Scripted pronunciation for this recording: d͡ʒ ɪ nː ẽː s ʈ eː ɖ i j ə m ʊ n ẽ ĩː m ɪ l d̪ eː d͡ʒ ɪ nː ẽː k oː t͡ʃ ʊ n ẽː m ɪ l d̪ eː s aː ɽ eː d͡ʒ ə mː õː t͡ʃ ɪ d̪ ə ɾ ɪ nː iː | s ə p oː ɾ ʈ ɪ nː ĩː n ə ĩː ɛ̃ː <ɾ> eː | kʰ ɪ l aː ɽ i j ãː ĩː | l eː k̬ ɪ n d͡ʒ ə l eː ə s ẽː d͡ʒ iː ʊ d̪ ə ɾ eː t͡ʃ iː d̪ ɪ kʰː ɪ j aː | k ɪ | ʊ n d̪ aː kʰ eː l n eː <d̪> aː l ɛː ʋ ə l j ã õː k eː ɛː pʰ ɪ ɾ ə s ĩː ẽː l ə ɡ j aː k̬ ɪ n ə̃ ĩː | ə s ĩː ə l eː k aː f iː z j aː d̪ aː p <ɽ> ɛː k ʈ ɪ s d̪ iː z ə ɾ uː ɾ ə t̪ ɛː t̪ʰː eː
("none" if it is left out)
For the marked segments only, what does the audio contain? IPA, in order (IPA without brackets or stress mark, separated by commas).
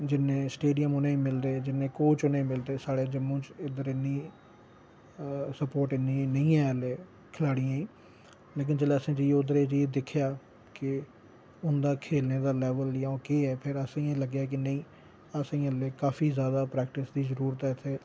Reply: l, d̪, ɾ